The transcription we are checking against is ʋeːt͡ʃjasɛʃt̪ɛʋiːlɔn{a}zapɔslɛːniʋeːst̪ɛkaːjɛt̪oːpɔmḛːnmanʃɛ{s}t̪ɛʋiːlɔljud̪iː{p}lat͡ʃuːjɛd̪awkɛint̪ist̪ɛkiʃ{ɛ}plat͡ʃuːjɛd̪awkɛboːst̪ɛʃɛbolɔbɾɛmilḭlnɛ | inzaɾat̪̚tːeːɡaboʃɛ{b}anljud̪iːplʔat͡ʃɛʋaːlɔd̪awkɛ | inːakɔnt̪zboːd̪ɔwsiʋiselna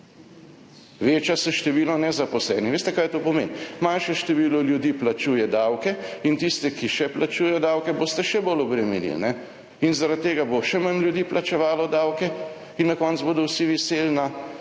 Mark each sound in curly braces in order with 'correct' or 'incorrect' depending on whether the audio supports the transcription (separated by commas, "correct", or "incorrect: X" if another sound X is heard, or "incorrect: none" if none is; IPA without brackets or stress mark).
incorrect: ɛ, incorrect: ʃ, correct, correct, incorrect: m